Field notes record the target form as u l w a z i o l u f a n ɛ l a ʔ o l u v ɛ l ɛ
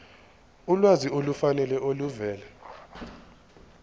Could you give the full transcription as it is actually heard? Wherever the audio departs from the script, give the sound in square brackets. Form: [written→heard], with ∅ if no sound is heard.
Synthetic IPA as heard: u l w a z i o l u f a n ɛ l [a→ɛ] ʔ o l u v [ɛ→ɛː] l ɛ